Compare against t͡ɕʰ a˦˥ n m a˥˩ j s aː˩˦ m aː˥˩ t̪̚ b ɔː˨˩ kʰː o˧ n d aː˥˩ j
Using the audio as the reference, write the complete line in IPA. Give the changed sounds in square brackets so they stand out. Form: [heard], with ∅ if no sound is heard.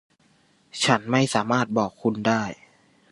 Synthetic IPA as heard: t͡ɕʰ a˦˥ n m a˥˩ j s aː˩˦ m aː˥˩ t̪̚ b ɔː˨˩ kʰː [u˧] n d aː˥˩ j